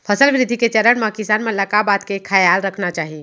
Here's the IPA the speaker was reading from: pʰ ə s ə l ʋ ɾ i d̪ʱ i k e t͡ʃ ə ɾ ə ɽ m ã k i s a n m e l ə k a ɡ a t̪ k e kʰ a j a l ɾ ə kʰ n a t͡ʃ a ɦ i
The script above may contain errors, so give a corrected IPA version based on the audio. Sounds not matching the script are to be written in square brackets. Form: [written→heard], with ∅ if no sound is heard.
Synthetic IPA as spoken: pʰ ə s ə l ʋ ɾ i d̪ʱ i k e t͡ʃ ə ɾ ə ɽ m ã k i s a n m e l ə k a [ɡ→b] a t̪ k e kʰ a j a l ɾ ə kʰ n a t͡ʃ a ɦ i